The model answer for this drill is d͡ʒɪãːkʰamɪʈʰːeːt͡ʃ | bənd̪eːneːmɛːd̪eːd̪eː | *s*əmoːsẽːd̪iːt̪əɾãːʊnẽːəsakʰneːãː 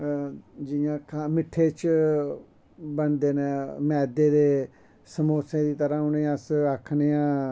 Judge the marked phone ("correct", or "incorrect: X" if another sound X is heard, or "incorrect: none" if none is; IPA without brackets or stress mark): correct